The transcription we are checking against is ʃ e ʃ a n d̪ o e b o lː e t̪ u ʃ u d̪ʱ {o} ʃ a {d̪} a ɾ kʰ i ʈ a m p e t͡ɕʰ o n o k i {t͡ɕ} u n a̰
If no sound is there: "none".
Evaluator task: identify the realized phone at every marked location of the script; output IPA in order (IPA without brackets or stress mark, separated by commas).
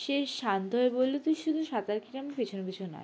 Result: u, t̪, t͡ɕʰ